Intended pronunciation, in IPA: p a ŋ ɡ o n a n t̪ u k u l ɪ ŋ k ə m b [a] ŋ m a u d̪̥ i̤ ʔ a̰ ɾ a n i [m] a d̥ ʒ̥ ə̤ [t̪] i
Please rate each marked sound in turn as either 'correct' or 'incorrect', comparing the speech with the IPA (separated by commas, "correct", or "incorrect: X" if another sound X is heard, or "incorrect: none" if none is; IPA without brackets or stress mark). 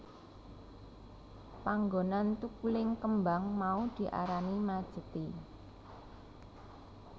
correct, correct, correct